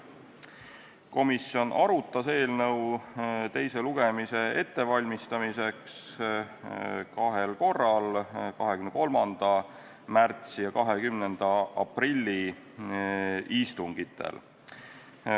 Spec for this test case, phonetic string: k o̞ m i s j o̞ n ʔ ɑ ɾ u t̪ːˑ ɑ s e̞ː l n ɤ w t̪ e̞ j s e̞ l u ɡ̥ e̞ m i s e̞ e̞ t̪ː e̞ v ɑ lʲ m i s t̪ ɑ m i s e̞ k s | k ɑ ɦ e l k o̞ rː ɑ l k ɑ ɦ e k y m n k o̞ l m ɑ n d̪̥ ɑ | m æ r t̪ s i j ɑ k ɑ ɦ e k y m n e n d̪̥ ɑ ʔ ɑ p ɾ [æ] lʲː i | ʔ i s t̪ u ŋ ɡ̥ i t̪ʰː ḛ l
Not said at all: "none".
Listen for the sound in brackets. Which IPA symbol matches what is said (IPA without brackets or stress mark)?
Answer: i